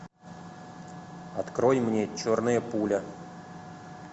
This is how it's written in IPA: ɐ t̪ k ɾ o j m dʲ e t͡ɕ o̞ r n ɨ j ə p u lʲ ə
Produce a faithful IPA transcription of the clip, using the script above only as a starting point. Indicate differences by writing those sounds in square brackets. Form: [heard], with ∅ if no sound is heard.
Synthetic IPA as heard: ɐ t̪ k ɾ o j m [nʲ] e t͡ɕ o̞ r n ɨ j ə p u lʲ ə

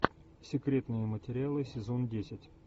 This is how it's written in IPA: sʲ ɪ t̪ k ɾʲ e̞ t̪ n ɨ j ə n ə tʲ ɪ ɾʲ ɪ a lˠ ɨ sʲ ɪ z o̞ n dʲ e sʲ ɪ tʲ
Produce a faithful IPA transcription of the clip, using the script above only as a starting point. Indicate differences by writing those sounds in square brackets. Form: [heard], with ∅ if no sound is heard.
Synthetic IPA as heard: sʲ ɪ [∅] k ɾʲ e̞ t̪ n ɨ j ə [m] ə tʲ ɪ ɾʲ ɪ a lˠ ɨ sʲ ɪ z o̞ n dʲ e sʲ ɪ tʲ

